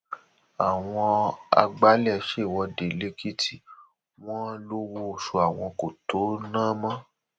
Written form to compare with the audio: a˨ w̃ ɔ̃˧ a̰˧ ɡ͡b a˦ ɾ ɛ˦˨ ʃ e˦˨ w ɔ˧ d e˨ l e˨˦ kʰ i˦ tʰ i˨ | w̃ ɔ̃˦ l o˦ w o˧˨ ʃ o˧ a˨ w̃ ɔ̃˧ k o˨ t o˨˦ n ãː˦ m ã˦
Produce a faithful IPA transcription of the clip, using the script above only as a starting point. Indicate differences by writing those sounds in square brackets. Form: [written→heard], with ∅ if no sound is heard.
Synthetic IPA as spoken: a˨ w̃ ɔ̃˧ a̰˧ ɡ͡b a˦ [ɾ→l] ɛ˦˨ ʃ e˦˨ w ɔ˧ d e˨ l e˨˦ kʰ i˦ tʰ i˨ | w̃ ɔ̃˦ l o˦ w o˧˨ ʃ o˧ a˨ w̃ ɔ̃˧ k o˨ t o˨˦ n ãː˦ m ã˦